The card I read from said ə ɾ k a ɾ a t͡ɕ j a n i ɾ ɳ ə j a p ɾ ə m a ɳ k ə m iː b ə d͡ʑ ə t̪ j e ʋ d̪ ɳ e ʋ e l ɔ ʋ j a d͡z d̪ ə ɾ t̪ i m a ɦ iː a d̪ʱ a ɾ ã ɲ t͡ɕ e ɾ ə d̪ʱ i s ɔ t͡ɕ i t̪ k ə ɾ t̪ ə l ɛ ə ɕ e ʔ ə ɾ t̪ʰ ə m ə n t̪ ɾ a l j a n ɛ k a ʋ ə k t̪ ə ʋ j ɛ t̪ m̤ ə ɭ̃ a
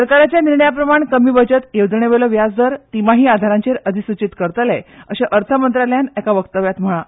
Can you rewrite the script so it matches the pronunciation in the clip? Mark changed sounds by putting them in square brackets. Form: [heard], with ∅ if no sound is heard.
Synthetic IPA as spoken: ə ɾ k a ɾ a t͡ɕ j a n i ɾ ɳ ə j a p ɾ ə m a ɳ k ə m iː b ə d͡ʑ ə t̪ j e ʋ d̪ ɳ e ʋ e l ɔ ʋ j a d͡z d̪ ə ɾ t̪ i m a ɦ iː a d̪ʱ a ɾ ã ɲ t͡ɕ e ɾ ə d̪ʱ i s [u] t͡ɕ i t̪ k ə ɾ t̪ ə l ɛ ə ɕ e ʔ ə ɾ t̪ʰ ə m ə n t̪ ɾ a l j a n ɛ k a ʋ ə k t̪ ə ʋ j [a] t̪ m̤ ə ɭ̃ a